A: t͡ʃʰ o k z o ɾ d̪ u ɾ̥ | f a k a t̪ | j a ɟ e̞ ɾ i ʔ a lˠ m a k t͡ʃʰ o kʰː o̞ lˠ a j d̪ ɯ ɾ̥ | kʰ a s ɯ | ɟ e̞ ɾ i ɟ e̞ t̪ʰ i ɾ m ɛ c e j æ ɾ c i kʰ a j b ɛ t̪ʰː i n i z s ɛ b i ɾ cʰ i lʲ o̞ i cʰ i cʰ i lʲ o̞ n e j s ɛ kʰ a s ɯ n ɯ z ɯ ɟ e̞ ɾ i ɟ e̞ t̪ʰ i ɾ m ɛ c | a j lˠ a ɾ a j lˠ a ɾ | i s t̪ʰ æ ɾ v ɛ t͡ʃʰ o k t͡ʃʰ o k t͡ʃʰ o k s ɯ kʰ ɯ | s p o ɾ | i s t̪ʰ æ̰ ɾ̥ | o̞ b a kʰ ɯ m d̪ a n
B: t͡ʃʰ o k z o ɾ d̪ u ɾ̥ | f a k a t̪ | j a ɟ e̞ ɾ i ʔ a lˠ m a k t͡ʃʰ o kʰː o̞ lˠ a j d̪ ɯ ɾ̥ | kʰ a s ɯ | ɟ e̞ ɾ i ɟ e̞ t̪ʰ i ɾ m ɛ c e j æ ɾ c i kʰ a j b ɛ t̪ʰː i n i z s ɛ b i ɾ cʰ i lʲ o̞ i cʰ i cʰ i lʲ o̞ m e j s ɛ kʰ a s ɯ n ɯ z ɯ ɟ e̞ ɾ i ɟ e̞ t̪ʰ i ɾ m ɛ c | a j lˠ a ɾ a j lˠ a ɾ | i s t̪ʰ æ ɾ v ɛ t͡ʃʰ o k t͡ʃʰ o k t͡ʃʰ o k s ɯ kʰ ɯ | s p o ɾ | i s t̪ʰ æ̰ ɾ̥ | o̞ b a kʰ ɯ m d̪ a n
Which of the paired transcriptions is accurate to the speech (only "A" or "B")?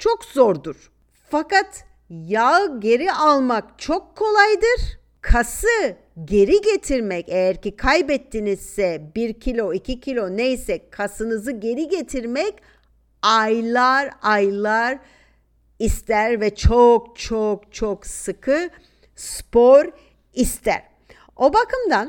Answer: A